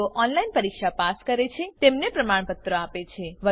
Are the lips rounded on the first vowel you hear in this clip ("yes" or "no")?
yes